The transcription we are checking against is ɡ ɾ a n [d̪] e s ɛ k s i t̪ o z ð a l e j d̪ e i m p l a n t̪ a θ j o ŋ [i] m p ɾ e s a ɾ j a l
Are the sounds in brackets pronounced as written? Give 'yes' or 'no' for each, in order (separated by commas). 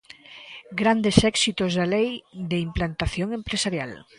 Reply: yes, no